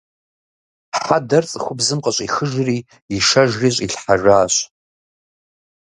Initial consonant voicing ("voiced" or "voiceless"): voiceless